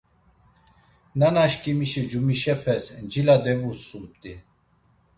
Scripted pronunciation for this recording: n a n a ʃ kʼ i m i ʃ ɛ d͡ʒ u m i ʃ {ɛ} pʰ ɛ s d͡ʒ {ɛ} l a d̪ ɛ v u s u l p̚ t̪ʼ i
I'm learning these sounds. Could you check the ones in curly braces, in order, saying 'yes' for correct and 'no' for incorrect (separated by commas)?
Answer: yes, no